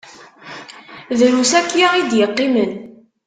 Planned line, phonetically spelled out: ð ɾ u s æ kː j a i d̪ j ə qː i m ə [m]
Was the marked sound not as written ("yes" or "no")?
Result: yes